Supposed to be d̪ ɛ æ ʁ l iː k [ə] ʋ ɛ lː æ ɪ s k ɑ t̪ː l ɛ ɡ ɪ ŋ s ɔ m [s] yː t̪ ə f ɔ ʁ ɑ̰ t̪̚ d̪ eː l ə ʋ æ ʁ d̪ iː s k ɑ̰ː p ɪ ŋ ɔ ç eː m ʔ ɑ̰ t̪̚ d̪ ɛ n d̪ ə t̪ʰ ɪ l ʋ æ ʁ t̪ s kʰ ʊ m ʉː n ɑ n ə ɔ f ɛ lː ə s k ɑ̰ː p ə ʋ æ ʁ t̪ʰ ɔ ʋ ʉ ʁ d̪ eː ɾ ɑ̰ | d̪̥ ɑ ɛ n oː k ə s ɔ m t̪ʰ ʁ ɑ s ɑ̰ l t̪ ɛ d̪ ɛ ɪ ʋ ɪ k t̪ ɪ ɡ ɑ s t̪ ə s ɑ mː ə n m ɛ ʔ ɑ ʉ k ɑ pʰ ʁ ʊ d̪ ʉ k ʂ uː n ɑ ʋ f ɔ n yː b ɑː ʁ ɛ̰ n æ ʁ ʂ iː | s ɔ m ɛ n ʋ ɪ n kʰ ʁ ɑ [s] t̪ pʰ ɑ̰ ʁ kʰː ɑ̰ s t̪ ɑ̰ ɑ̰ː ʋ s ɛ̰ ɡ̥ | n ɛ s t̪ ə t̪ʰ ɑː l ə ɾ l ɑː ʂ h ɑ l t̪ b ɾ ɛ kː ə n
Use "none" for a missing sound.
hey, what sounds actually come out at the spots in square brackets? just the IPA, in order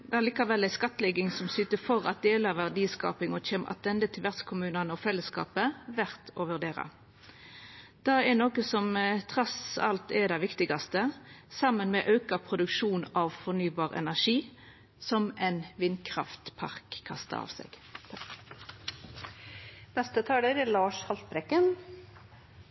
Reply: ɑ, s, f

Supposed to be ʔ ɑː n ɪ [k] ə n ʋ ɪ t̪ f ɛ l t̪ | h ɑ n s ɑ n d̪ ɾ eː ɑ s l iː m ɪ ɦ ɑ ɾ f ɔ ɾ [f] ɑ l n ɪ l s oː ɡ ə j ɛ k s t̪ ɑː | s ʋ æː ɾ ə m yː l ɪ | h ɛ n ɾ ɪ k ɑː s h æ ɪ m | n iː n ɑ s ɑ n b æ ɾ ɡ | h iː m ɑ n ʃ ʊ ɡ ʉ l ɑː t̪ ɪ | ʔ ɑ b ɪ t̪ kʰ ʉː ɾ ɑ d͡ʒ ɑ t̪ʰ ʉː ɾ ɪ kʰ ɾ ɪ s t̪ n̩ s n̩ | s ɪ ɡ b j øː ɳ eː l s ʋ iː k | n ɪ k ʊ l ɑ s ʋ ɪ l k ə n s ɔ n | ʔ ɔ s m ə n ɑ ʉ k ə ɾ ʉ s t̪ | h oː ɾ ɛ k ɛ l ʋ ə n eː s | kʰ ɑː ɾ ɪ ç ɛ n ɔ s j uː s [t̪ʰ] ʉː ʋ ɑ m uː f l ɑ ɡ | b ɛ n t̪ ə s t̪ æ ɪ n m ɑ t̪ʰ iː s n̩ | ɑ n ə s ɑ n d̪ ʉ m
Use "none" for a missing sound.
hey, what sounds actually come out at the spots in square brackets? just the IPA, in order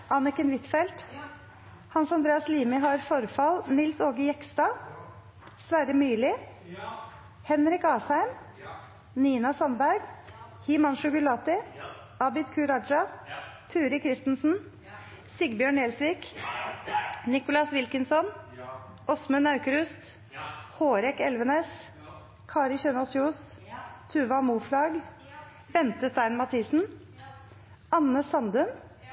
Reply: k, f, t̪ʰ

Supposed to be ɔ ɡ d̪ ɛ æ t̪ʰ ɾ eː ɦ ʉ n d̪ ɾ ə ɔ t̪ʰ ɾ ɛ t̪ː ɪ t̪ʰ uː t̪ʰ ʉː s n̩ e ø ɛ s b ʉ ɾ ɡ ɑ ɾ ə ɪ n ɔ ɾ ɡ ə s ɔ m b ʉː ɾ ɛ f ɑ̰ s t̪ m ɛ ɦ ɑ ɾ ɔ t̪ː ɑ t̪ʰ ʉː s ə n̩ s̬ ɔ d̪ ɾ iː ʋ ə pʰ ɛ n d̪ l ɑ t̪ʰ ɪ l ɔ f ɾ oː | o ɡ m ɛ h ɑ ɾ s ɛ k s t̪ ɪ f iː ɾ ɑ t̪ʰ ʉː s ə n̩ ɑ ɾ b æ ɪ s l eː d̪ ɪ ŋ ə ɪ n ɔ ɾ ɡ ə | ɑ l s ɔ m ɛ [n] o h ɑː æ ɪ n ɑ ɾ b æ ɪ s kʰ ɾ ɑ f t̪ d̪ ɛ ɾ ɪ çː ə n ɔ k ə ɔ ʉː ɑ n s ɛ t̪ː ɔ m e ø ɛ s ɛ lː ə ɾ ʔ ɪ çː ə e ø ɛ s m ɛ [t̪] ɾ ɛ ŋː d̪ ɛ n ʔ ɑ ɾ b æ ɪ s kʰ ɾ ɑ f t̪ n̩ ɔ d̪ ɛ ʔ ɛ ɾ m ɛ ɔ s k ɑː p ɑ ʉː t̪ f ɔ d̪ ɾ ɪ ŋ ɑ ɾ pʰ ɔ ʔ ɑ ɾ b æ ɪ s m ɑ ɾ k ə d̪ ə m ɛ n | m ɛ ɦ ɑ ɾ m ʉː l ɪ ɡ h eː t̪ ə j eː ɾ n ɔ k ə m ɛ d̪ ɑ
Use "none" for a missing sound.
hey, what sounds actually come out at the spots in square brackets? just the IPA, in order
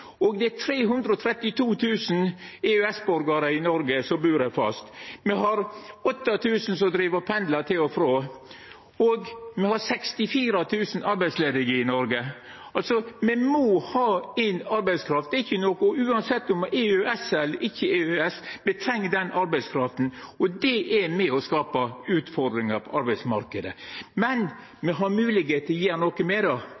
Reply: m, t̪ʰ

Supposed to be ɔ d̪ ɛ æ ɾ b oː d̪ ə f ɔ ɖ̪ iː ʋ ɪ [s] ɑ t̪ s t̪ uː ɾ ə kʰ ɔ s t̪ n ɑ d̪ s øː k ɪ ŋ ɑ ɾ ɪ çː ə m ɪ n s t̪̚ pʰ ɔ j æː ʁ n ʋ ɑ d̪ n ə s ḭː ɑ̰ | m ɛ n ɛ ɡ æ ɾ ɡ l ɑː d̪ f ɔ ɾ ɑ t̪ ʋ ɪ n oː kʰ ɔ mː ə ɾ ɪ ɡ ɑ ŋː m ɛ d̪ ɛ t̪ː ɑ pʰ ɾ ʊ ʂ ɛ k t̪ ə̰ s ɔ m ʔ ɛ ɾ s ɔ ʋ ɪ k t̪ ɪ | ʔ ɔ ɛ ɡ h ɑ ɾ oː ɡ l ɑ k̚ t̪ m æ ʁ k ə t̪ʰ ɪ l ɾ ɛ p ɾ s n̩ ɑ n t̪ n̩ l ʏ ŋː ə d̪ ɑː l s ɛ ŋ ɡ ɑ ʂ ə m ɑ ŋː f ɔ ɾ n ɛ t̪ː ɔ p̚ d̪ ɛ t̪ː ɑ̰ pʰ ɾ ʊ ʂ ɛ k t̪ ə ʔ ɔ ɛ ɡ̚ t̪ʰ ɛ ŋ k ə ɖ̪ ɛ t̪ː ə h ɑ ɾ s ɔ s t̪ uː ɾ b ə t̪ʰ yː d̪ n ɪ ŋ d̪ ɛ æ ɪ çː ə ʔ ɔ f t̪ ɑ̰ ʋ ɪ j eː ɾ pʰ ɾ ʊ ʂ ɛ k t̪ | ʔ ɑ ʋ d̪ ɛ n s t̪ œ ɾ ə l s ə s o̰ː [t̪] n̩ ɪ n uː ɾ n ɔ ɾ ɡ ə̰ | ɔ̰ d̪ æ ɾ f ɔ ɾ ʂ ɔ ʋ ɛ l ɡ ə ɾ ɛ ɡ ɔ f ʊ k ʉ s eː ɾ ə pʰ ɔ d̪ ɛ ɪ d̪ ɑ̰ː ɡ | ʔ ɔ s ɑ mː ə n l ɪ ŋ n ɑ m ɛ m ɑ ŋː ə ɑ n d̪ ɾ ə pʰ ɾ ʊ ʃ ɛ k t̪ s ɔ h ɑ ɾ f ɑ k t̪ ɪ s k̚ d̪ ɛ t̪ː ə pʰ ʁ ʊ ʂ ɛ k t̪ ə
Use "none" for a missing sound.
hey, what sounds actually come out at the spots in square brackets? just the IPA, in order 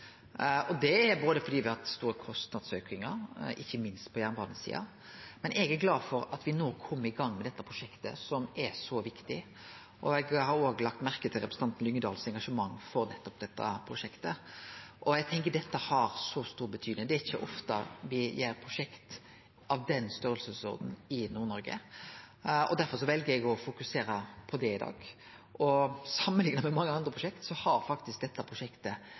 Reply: h, d̪

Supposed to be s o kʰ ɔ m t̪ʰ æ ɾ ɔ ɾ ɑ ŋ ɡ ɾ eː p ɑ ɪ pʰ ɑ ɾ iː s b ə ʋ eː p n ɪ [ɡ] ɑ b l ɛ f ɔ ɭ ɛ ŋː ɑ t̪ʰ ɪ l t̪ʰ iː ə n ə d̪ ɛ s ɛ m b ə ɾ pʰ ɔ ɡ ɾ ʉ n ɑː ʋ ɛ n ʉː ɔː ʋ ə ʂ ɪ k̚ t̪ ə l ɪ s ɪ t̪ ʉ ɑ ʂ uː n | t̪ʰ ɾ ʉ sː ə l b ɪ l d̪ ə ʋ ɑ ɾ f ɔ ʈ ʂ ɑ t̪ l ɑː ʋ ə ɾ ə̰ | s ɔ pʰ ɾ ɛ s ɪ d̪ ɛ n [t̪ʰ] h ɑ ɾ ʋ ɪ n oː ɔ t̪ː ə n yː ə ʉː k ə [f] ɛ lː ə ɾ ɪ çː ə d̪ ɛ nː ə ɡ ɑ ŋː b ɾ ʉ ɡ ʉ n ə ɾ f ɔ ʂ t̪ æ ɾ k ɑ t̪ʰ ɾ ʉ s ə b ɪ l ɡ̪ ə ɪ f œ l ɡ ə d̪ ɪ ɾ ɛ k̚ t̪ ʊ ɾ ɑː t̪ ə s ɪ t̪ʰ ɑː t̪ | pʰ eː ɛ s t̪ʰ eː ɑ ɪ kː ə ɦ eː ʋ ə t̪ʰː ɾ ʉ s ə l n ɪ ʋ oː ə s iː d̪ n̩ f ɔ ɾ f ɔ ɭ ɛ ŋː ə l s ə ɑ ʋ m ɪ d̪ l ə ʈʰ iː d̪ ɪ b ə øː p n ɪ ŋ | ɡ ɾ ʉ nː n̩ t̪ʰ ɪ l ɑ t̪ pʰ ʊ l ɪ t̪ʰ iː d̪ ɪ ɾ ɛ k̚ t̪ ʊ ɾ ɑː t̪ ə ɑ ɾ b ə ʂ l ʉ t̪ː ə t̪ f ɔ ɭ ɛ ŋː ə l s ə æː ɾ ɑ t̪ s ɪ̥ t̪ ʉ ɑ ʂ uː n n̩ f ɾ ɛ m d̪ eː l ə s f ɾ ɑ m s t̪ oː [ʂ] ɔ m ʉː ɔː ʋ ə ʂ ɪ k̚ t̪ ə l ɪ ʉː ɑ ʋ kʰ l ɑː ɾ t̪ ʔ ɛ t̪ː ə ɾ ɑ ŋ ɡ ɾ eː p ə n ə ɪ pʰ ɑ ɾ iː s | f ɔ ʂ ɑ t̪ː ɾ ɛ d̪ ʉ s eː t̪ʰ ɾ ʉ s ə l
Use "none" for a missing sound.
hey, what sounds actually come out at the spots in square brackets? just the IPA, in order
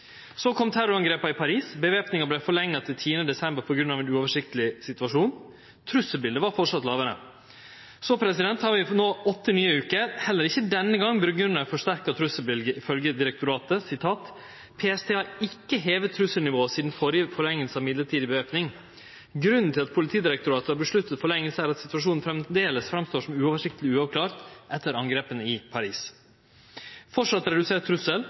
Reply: ŋ, t̪, h, ʂ

